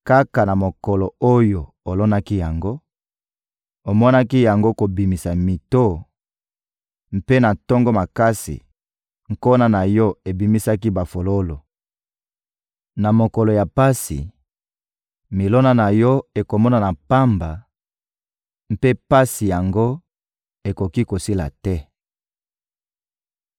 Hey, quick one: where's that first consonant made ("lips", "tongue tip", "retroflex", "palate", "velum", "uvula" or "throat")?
velum